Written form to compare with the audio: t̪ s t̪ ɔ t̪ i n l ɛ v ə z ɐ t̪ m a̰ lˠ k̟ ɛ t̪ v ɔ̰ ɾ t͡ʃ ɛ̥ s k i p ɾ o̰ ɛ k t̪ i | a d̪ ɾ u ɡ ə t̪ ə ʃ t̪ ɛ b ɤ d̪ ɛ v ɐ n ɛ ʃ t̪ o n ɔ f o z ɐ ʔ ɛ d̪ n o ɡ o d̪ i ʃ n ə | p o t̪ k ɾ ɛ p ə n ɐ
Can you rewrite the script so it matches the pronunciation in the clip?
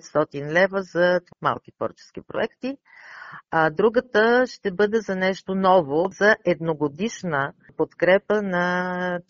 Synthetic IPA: t̪ s t̪ ɔ t̪ i n l ɛ v ə z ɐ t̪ m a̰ lˠ k̟ i t̪ v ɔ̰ ɾ t͡ʃ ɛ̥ s k i p ɾ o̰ ɛ k t̪ i | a d̪ ɾ u ɡ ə t̪ ə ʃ t̪ ɛ b ɤ d̪ ɛ z ɐ n ɛ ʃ t̪ o n ɔ v o z ɐ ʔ ɛ d̪ n o ɡ o d̪ i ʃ n ə | p o t̪ k ɾ ɛ p ə n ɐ